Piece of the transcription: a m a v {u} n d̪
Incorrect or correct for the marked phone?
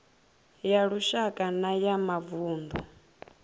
incorrect: uː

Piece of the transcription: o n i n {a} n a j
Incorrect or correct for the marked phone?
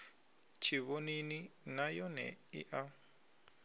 incorrect: i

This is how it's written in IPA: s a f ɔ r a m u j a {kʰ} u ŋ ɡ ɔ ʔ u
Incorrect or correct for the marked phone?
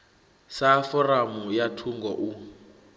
incorrect: tʰ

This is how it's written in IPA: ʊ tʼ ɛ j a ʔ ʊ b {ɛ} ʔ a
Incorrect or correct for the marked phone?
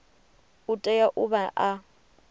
incorrect: a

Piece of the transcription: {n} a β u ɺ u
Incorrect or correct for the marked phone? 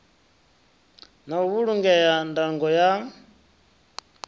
correct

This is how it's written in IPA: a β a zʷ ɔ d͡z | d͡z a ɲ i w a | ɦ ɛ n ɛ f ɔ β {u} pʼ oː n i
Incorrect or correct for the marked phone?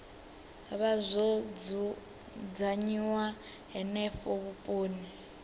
correct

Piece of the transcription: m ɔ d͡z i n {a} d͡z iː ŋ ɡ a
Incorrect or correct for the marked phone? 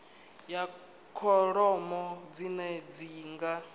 incorrect: ɛ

